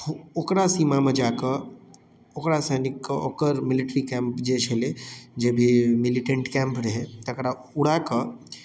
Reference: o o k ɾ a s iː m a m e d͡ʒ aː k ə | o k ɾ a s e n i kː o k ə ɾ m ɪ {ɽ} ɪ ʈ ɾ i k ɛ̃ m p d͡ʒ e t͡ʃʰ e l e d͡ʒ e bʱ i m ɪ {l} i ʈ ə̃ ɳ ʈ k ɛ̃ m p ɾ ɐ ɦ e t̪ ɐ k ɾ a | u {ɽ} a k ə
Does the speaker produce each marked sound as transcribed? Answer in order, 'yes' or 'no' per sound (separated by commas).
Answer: no, yes, yes